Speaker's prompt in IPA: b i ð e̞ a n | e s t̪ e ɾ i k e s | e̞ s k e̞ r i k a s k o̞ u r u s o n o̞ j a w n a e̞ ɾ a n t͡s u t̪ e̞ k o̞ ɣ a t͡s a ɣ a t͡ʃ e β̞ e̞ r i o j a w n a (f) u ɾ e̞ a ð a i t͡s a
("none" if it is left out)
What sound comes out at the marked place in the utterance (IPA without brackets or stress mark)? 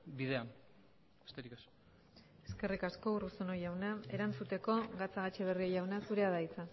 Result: s